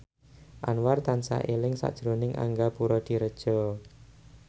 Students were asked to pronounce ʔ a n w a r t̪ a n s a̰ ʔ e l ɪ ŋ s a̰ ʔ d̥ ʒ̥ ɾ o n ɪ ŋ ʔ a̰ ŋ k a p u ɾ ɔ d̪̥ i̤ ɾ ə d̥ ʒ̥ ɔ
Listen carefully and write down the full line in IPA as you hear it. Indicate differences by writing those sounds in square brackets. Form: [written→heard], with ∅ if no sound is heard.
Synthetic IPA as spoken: ʔ a n w a r t̪ a n s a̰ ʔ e l ɪ ŋ s a̰ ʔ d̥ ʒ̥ ɾ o n ɪ ŋ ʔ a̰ ŋ [k→ɡ] a p u ɾ ɔ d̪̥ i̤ ɾ ə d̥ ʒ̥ ɔ